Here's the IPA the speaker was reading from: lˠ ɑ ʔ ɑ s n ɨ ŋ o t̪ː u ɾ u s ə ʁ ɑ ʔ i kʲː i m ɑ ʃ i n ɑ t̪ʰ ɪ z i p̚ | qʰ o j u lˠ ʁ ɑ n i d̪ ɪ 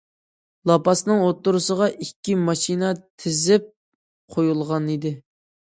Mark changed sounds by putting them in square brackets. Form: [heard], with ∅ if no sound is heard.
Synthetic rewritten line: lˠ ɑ [p] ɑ s n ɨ ŋ o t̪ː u ɾ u s ə ʁ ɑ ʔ i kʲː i m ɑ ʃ i n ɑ t̪ʰ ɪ z [ɪ] p̚ | qʰ o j u lˠ ʁ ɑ n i d̪ ɪ

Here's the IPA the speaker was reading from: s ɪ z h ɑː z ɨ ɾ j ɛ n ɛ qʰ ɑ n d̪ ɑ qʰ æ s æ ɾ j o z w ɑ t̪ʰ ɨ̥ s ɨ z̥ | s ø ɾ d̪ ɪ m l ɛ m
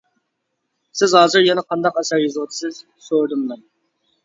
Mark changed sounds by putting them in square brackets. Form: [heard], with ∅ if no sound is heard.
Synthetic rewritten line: s ɪ z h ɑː z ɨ ɾ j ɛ n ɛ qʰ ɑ n d̪ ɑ [q] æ s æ ɾ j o z w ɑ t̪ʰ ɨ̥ s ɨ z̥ | s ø ɾ d̪ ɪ m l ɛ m

